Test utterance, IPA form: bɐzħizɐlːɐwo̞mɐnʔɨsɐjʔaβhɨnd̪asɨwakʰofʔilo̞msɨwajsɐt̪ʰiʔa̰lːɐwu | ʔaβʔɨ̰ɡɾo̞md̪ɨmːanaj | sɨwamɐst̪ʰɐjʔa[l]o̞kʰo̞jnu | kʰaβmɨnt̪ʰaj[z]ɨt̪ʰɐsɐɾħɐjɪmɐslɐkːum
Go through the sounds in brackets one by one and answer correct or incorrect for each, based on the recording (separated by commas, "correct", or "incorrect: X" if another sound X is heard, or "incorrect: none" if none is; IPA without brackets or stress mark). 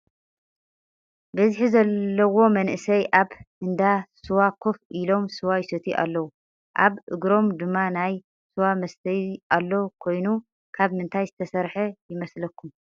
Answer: incorrect: lː, correct